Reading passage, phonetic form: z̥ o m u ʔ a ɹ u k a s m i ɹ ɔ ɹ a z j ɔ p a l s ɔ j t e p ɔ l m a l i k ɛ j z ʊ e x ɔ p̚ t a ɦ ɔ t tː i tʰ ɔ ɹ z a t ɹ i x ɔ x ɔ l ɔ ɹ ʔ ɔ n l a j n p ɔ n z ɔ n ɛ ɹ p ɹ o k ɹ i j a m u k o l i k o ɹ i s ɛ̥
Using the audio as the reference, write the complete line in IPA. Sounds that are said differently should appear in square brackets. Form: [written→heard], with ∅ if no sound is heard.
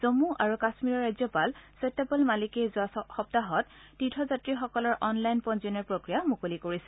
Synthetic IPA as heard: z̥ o m u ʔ a ɹ u k a s m i ɹ ɔ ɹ a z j ɔ p a l s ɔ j t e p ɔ l m a l i k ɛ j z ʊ [e→a] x ɔ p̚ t a ɦ ɔ t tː i tʰ ɔ [ɹ→∅] z a t ɹ i x ɔ [x→k] ɔ l ɔ ɹ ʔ ɔ n l a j n p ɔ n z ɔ n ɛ ɹ p ɹ o k ɹ i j a m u k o l i k o ɹ i s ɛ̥